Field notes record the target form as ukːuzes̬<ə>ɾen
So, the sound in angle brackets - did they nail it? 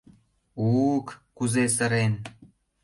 yes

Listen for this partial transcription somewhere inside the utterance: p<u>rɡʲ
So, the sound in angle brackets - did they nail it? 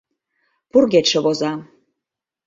yes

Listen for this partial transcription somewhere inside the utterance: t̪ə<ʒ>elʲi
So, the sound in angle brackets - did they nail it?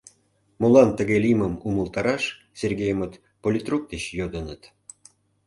no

